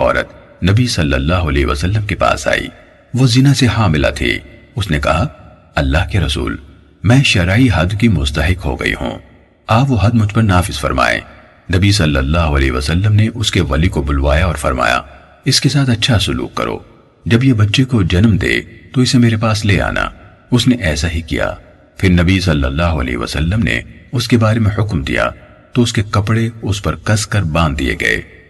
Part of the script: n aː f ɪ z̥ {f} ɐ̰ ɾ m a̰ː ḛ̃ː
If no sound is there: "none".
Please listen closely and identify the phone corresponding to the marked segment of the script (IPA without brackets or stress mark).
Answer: f